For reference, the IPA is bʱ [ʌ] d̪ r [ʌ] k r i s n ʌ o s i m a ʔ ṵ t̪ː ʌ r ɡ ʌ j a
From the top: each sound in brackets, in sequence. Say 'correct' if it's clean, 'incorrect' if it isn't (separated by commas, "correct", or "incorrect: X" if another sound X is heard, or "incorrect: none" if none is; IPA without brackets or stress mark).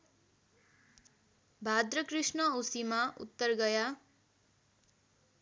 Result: incorrect: a, correct